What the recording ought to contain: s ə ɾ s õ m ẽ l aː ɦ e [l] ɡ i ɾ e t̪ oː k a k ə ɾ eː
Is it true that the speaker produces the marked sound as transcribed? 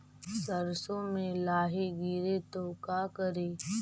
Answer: no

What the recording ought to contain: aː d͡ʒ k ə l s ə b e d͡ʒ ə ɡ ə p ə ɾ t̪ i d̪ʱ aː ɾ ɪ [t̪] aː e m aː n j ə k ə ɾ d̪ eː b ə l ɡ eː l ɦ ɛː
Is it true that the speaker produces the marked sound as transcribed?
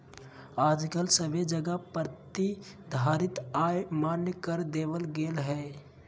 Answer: yes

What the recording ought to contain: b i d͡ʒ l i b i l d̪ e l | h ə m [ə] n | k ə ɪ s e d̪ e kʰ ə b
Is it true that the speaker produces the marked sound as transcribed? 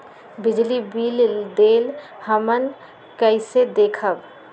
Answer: yes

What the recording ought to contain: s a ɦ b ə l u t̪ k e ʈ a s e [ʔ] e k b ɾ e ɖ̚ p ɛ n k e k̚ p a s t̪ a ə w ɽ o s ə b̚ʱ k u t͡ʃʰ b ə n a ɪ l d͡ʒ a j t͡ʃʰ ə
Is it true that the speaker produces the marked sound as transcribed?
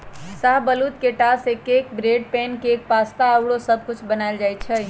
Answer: no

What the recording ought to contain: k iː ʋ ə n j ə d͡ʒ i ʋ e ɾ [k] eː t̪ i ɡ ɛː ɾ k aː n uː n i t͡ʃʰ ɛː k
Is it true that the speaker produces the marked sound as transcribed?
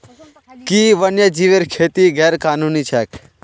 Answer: no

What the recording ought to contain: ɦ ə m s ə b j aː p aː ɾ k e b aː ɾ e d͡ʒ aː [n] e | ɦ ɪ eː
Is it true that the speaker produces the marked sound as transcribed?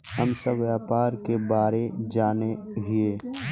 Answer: yes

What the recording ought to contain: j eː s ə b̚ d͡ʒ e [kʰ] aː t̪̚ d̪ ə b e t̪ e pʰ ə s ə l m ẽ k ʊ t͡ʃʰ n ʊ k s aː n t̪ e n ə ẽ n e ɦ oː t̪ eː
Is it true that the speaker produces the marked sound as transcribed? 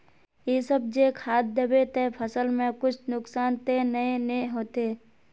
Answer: yes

